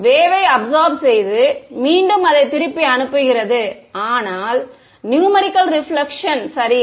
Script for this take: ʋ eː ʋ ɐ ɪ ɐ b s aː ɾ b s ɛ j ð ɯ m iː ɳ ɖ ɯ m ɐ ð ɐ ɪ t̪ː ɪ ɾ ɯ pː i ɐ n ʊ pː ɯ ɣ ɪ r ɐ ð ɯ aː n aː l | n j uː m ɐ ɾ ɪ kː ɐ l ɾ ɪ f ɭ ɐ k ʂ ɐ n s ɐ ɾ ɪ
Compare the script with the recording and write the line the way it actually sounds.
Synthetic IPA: ʋ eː ʋ ɐ ɪ ɐ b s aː ɾ b s ɛ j ð ɯ m iː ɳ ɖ ɯ m ɐ ð ɐ ɪ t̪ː ɪ ɾ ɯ pː i ɐ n ɯ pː ɯ ɣ ɪ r ɐ ð ɯ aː n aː l | n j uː m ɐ ɾ ɪ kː ɐ l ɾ ɪ f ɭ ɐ k ʂ ɐ n s ɐ ɾ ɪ